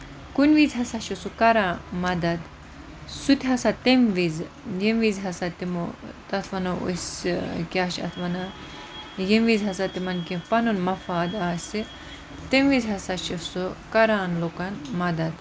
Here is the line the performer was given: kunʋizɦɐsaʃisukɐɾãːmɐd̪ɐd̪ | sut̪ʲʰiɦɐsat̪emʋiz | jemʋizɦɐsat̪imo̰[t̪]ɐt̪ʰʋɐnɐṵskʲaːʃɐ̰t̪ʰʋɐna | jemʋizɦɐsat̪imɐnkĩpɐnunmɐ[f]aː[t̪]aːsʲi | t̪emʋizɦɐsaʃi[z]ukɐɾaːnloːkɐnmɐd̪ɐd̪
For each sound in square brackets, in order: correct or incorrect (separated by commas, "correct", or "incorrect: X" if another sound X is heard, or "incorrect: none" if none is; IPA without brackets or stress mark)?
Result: correct, correct, incorrect: d̪, incorrect: s